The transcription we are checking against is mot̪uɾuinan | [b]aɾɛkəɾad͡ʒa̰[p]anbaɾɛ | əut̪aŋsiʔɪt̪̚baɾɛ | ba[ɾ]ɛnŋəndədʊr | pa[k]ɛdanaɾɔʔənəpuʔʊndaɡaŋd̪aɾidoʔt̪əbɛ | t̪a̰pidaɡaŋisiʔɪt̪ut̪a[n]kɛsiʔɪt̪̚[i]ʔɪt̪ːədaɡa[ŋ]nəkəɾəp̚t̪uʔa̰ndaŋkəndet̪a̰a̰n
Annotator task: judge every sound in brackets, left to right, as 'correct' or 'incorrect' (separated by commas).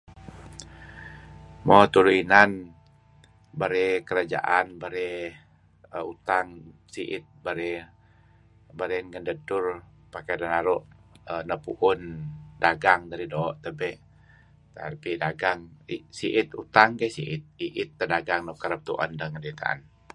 correct, incorrect, correct, correct, incorrect, correct, correct